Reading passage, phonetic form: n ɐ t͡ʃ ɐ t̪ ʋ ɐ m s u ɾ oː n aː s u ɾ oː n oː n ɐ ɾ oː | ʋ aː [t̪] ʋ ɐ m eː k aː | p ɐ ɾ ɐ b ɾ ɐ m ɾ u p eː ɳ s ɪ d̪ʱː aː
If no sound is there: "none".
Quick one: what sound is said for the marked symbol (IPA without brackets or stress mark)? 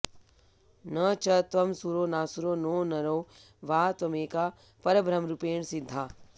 t̪